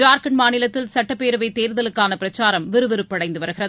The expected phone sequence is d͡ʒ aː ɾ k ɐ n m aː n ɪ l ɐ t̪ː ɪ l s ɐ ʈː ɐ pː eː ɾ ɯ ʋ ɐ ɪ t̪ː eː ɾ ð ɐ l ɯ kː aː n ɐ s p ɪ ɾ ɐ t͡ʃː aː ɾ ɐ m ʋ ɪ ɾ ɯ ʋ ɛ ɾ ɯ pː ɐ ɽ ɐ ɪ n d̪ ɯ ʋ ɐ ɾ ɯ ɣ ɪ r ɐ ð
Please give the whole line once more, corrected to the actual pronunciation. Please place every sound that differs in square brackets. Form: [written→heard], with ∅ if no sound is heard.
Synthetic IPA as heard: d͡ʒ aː ɾ k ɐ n m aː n ɪ l ɐ t̪ː ɪ l s ɐ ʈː ɐ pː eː ɾ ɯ ʋ ɐ ɪ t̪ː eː ɾ ð ɐ l ɯ kː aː n ɐ [s→∅] p ɪ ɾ ɐ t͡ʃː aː ɾ ɐ m ʋ ɪ ɾ ɯ ʋ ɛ ɾ ɯ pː ɐ ɽ ɐ ɪ n d̪ ɯ ʋ ɐ ɾ ɯ ɣ ɪ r ɐ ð